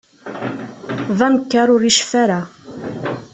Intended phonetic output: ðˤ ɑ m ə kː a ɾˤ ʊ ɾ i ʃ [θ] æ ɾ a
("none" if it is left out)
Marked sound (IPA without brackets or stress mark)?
f